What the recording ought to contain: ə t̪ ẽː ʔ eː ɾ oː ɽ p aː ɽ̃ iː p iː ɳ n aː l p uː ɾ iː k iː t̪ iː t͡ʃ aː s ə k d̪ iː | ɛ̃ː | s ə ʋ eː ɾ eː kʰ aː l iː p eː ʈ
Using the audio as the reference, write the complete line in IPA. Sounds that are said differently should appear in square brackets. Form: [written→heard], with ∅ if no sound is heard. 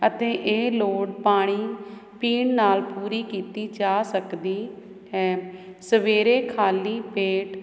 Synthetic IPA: ə t̪ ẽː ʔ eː [ɾ→l] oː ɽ p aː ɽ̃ iː p iː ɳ n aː l p uː ɾ iː k iː t̪ iː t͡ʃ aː s ə k d̪ iː | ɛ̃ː | s ə ʋ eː ɾ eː kʰ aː l iː p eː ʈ